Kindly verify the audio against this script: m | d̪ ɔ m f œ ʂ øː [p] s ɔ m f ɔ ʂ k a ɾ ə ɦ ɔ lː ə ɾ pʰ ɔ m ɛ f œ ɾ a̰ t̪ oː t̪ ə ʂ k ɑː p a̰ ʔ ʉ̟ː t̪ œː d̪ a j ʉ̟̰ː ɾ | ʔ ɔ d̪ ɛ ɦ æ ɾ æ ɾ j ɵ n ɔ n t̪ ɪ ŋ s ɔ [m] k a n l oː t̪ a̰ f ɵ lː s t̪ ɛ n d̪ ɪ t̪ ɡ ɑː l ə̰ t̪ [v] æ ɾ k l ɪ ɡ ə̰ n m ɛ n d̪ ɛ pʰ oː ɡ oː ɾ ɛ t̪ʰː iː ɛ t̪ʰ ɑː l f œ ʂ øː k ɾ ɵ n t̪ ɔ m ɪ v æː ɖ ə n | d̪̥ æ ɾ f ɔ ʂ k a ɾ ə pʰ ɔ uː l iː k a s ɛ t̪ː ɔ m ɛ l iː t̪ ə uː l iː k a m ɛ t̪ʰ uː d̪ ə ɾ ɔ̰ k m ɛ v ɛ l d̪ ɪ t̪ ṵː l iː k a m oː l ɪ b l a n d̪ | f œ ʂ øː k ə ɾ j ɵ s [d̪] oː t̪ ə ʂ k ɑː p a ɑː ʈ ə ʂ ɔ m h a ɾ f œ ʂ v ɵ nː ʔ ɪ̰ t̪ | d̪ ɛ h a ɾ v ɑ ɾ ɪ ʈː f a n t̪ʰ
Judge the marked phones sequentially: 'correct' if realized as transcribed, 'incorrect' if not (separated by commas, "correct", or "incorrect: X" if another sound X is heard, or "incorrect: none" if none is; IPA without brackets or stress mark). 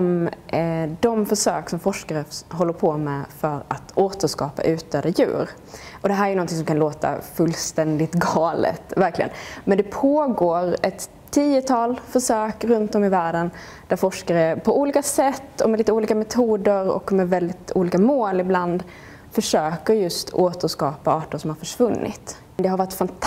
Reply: incorrect: k, correct, correct, incorrect: t̪